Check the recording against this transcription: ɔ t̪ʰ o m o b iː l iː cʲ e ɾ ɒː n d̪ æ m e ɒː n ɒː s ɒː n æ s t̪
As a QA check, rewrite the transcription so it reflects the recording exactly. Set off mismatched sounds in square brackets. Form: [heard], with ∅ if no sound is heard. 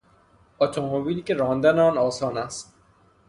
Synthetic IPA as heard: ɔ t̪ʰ o m o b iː l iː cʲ e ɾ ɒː n d̪ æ [n] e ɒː n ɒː s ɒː n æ s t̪